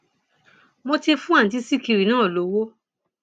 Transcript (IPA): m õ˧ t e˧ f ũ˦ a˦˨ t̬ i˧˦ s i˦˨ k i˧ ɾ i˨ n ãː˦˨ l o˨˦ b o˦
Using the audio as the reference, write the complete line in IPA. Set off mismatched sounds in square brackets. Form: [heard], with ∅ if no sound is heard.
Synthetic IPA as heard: m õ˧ t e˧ f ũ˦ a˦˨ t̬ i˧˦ s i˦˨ k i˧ ɾ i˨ n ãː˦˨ l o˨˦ [w] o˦

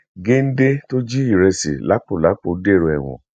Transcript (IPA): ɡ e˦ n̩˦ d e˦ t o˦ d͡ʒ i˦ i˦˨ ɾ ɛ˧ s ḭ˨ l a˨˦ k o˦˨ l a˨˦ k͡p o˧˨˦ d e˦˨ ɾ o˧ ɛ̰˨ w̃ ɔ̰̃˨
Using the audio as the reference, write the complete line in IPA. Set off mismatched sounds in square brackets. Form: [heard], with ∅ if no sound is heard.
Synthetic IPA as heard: ɡ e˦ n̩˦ d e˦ t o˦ d͡ʒ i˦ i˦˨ ɾ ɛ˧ s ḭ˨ l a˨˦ [k͡p] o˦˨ l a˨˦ k͡p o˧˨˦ d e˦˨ ɾ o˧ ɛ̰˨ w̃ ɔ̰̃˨

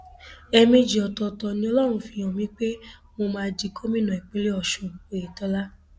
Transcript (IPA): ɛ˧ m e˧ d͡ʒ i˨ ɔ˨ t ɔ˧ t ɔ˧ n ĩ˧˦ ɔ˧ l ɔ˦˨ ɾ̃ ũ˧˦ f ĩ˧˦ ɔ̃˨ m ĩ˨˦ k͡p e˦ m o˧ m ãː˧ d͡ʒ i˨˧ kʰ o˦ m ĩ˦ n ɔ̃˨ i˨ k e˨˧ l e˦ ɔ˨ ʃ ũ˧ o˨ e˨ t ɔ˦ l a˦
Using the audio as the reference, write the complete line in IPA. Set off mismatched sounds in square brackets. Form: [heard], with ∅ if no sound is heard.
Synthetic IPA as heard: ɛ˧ m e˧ d͡ʒ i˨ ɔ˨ t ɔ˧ t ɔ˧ n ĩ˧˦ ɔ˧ l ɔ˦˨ ɾ̃ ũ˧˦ f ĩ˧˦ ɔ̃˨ m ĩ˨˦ k͡p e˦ m o˧ m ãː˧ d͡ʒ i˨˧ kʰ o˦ m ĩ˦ n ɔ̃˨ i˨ [k͡p] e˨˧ l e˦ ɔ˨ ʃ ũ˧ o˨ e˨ t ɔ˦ l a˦

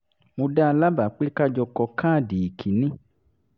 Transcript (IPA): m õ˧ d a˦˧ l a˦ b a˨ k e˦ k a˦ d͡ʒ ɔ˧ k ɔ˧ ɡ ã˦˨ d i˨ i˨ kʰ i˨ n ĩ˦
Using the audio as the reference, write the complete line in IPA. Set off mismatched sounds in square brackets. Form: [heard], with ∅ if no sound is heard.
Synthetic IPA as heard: m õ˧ d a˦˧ l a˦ b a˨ [k͡p] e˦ k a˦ d͡ʒ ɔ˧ k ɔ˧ [k] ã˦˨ d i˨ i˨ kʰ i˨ n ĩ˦

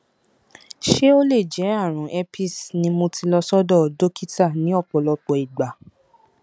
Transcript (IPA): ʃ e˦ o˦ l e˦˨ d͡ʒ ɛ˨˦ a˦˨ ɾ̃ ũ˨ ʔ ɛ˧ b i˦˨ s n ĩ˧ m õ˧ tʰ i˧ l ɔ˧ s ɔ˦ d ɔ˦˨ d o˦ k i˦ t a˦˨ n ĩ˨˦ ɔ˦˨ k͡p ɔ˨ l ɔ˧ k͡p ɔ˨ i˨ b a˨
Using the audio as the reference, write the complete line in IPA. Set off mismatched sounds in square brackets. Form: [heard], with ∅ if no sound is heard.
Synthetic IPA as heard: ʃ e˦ o˦ l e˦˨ d͡ʒ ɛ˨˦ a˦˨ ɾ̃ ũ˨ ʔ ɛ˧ [p] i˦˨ s n ĩ˧ m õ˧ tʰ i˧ l ɔ˧ s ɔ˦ d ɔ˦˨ d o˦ k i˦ t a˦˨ n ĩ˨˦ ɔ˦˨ k͡p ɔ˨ l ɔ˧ k͡p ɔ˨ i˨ [ɡ͡b] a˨

